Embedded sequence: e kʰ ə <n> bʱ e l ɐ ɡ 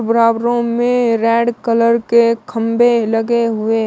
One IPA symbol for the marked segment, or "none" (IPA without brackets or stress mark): m